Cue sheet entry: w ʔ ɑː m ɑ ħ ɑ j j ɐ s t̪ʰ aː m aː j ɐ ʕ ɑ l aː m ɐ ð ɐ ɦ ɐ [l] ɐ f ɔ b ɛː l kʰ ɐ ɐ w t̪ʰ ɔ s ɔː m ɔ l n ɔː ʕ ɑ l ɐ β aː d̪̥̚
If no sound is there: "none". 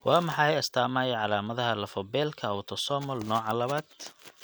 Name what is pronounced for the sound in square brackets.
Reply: l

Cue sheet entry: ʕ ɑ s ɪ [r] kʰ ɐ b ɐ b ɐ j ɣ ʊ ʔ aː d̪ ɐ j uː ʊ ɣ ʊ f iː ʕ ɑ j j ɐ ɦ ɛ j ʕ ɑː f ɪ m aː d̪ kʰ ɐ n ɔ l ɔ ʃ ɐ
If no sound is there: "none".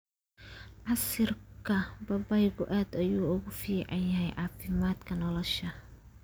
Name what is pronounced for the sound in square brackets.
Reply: r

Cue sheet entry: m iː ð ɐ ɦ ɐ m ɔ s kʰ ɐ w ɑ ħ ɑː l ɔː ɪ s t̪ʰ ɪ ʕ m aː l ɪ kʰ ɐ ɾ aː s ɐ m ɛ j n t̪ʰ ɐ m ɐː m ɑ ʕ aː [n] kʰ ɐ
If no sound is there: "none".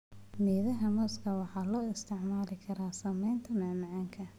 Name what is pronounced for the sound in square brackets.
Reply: ŋ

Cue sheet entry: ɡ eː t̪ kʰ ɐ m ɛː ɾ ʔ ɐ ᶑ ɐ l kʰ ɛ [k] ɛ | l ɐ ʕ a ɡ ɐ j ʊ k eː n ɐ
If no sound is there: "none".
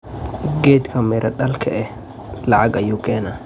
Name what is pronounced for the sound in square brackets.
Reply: ʔ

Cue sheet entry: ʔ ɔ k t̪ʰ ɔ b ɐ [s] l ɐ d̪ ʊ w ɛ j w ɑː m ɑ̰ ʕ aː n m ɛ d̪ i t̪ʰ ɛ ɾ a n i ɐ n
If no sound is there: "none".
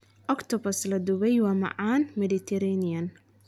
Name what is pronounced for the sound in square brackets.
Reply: s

